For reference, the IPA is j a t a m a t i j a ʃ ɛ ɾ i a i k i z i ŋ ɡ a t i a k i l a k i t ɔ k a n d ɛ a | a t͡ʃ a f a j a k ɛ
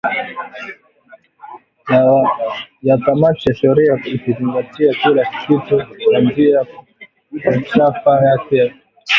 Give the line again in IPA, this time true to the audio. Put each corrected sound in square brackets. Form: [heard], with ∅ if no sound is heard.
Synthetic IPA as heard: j a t a m a t i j a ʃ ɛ ɾ i a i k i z i ŋ ɡ a t i a k i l a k i t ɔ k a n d [i] a | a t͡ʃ a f a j a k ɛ